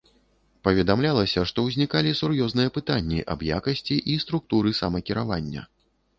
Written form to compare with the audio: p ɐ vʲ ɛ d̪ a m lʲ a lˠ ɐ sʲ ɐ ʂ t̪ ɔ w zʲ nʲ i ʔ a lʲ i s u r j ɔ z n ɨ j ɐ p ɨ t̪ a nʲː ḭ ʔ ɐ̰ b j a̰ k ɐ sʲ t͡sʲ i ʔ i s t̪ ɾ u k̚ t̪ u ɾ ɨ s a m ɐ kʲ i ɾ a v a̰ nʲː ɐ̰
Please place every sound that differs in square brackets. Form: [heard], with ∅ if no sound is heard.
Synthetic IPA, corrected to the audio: p ɐ vʲ ɛ d̪ a m lʲ a lˠ ɐ sʲ ɐ ʂ t̪ ɔ w zʲ nʲ i [k] a lʲ i s u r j ɔ z n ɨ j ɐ p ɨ t̪ a nʲː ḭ ʔ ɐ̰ b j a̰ k ɐ sʲ t͡sʲ i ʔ i s t̪ ɾ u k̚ t̪ u ɾ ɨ s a m ɐ kʲ i ɾ a v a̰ nʲː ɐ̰